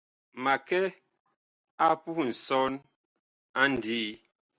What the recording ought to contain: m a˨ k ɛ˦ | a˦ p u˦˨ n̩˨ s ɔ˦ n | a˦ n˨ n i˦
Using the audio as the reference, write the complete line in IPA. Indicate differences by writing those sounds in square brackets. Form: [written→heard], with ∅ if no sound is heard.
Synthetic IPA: m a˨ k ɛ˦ | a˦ p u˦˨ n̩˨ s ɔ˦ n | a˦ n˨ [n→d] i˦